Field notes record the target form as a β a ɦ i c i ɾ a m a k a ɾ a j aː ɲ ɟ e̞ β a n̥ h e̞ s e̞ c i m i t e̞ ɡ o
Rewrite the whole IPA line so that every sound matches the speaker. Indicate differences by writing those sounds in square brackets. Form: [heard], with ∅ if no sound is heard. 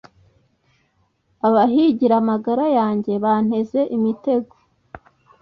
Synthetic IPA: a β a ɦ i [ɟ] i ɾ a m a [ɡ] a ɾ a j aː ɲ ɟ e̞ β a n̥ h e̞ [z] e̞ [ʔ] i m i t e̞ ɡ o